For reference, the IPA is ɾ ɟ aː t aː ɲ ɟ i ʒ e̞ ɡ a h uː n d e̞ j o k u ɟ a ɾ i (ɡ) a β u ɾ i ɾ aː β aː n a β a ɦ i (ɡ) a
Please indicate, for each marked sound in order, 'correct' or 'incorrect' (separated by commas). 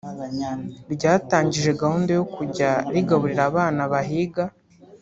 correct, correct